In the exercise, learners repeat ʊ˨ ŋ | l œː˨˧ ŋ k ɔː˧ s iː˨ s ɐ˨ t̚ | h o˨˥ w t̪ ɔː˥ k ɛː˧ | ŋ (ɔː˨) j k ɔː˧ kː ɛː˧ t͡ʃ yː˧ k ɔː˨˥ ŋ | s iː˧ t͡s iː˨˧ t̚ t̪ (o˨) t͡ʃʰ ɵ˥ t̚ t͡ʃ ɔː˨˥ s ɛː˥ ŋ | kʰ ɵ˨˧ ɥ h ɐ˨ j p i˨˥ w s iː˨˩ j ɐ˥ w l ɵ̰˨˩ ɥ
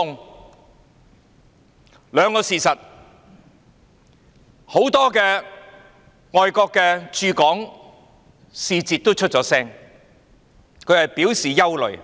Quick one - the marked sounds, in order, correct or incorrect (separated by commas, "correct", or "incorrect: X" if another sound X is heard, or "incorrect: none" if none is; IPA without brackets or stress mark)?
correct, incorrect: o˥